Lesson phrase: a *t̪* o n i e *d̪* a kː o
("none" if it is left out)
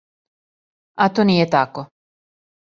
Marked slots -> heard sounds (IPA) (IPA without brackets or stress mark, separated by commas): t̪, t̪